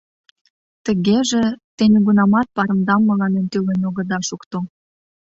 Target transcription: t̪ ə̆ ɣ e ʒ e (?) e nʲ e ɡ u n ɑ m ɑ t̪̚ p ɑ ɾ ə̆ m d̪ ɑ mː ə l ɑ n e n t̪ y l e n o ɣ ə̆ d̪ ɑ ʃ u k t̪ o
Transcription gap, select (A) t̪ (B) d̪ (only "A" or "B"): A